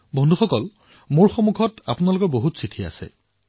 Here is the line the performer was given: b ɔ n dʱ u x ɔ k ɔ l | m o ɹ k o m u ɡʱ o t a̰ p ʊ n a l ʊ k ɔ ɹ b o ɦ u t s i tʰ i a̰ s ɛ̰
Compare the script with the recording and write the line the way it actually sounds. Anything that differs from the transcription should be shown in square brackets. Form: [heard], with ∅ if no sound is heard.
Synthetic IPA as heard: b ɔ n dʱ u x ɔ k ɔ l | m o ɹ [x] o m u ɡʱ [ɔ] t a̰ p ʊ n a l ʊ k ɔ ɹ b o ɦ u t s i tʰ i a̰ s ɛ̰